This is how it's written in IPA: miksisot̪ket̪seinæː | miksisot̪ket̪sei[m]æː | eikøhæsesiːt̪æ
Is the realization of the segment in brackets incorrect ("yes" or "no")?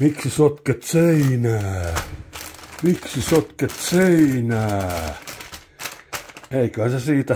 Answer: yes